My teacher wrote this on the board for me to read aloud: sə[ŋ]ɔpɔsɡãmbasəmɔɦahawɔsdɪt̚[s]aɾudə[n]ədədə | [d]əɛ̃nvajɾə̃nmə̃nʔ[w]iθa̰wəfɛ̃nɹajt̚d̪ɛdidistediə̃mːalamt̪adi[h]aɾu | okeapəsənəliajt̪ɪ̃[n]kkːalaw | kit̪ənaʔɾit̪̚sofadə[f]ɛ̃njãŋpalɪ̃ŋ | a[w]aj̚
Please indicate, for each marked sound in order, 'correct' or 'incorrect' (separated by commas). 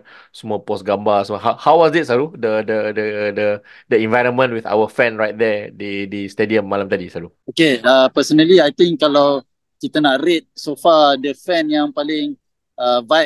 incorrect, correct, incorrect, correct, correct, incorrect, incorrect, correct, incorrect